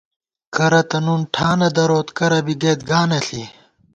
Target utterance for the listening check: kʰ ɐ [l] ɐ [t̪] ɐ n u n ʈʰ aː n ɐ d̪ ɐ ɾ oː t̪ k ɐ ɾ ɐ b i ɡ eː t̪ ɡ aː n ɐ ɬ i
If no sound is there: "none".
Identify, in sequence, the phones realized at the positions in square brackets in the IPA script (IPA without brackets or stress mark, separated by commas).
ɾ, t̪